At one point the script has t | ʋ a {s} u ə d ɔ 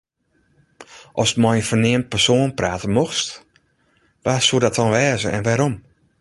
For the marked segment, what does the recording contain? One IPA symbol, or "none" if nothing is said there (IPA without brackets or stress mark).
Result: s